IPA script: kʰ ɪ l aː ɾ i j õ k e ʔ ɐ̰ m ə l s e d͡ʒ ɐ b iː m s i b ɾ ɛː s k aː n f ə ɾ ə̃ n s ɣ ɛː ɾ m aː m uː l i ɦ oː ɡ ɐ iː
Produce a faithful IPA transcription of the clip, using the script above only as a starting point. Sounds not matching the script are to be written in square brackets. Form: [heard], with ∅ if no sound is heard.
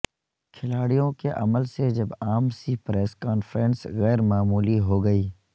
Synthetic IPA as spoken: kʰ ɪ l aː [ɽ] i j õ k e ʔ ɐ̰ m ə l s e d͡ʒ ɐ b [aː] m s i [p] ɾ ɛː s k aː n f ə ɾ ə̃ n s ɣ ɛː ɾ m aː m uː l i ɦ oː ɡ ɐ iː